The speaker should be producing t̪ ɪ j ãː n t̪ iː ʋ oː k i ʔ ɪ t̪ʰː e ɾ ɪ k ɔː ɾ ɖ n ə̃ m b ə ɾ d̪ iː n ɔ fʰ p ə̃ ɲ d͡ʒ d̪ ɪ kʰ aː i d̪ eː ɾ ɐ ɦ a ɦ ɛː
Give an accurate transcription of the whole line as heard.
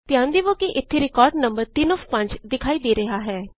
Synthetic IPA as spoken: t̪ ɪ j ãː n d̪ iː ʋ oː k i ʔ ɪ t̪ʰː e ɾ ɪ k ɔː ɾ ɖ n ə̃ m b ə ɾ t̪ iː n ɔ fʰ p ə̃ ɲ d͡ʒ d̪ ɪ kʰ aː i d̪ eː ɾ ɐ ɦ a ɦ ɛː